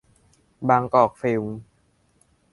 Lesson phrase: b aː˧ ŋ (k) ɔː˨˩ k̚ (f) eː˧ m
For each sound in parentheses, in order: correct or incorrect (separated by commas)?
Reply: correct, correct